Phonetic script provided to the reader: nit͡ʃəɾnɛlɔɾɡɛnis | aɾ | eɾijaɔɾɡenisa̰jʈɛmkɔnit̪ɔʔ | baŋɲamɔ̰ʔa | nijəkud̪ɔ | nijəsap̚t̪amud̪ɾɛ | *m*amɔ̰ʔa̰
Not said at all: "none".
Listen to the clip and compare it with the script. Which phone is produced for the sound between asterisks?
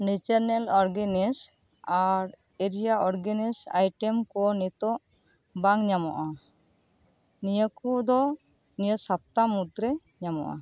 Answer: ɲ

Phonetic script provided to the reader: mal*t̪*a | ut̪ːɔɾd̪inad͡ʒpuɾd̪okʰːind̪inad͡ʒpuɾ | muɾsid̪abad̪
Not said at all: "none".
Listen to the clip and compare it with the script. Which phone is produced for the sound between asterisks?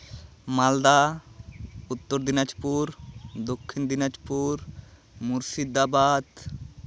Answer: d̪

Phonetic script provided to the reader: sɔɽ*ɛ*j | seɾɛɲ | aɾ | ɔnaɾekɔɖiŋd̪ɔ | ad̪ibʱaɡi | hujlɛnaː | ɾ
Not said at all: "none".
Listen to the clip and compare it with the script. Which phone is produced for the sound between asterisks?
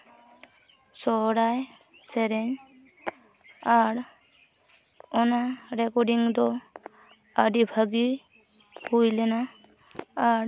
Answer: a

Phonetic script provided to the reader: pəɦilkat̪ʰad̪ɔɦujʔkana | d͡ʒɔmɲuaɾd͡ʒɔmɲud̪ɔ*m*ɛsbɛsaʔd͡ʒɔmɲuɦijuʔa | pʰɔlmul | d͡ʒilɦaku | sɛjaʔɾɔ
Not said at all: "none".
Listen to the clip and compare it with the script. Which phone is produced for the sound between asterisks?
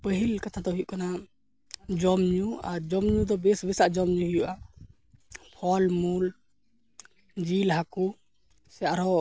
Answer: b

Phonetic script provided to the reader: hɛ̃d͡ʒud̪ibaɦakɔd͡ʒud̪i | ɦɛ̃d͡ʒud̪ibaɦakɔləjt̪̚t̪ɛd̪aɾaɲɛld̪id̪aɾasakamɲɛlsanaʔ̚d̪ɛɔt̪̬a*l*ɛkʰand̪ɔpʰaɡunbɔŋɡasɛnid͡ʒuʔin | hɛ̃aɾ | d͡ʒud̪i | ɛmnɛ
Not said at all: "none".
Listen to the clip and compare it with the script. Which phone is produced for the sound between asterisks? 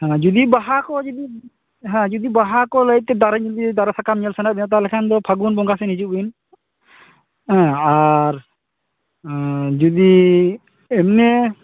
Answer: l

